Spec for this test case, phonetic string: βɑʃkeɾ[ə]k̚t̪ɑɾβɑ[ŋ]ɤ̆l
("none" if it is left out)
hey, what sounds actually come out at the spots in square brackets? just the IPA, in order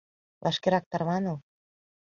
ɑ, n

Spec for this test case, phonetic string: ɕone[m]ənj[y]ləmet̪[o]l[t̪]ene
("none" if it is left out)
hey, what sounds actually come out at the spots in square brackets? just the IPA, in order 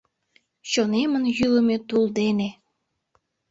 m, y, u, d̪

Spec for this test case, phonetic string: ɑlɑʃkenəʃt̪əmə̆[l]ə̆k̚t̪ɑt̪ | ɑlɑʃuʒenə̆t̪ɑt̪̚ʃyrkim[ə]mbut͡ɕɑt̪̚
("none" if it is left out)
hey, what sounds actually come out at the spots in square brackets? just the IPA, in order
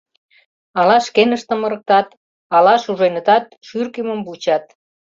ɾ, ə

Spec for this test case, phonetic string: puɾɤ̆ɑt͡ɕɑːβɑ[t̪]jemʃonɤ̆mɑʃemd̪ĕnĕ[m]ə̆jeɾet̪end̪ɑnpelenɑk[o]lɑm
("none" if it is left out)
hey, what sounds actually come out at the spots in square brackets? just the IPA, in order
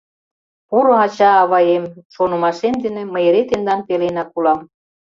none, m, u

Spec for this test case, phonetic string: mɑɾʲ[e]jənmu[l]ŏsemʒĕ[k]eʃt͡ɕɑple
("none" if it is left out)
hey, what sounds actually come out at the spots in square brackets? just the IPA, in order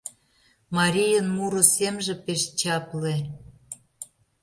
i, ɾ, p

